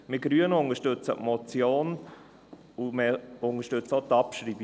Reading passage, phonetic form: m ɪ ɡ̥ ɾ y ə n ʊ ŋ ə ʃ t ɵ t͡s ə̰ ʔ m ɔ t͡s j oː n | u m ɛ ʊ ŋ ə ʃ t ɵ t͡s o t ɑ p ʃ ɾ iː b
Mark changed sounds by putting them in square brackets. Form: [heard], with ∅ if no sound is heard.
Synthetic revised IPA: m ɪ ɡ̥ ɾ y ə n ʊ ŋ ə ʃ t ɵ t͡s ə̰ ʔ m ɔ t͡s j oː n | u m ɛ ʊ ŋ ə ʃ t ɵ t͡s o t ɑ p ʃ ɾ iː b